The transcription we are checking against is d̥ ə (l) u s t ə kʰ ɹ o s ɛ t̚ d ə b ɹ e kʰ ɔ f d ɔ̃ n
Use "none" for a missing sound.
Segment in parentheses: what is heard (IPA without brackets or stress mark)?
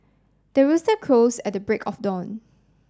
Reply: ɹ